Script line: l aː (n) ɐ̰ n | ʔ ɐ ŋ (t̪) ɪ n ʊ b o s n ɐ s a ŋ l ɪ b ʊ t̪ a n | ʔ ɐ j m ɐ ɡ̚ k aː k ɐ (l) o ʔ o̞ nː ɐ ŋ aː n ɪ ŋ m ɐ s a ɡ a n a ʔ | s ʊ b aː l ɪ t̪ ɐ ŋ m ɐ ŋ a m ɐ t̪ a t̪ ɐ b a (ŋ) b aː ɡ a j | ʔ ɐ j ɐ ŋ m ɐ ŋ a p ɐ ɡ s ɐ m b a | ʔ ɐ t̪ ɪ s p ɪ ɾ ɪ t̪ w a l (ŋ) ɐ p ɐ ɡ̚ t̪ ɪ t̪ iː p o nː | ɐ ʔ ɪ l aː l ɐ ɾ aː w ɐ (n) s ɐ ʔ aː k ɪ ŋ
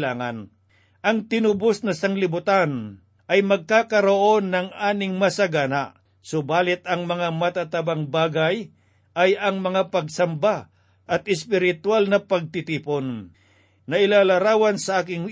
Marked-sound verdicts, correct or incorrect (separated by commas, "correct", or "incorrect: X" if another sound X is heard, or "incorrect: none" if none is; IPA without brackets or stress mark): incorrect: ŋ, correct, incorrect: ɾ, correct, incorrect: n, correct